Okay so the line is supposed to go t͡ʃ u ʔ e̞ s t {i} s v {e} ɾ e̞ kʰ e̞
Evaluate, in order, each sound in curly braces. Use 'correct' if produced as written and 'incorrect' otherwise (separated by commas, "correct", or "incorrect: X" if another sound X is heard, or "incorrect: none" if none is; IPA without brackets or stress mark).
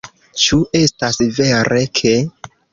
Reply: incorrect: a, correct